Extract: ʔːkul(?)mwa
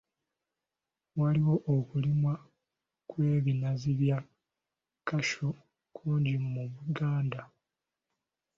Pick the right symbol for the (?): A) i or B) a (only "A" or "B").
A